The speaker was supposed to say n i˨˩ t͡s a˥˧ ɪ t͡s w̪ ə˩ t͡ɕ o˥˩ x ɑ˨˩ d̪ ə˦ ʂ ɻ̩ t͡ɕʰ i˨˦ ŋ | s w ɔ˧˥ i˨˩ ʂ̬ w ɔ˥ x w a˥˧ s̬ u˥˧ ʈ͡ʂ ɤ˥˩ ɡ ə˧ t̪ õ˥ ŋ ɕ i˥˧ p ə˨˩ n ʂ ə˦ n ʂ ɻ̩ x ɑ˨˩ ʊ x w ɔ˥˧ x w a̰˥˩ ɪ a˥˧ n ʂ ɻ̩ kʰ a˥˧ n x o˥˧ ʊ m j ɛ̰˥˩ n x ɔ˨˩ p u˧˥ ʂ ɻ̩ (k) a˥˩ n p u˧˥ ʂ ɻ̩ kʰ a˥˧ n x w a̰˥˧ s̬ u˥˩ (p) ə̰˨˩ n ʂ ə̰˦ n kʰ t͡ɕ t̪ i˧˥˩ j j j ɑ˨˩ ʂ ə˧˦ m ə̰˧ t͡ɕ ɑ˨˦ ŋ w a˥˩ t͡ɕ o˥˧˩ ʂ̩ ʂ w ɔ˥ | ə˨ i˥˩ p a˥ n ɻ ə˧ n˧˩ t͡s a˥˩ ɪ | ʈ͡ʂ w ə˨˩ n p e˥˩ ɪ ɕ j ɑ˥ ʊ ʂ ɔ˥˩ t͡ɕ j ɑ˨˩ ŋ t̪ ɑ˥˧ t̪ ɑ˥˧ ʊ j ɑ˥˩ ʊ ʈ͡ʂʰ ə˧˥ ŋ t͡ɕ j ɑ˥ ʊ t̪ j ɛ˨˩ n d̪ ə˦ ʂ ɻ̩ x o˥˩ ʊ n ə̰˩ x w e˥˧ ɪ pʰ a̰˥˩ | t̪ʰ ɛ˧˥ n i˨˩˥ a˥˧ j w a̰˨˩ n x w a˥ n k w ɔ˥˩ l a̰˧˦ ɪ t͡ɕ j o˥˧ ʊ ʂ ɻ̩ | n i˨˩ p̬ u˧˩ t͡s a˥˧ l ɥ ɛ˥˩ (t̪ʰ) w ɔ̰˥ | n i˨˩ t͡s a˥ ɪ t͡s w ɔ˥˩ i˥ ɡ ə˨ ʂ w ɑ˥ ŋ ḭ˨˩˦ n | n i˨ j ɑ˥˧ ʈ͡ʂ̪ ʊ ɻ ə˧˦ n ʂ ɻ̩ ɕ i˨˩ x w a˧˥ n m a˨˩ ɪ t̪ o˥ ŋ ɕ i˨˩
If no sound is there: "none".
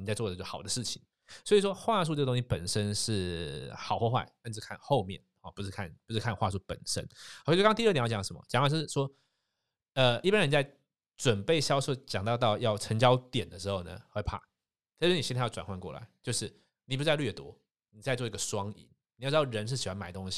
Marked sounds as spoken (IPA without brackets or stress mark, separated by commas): kʰ, p, t̪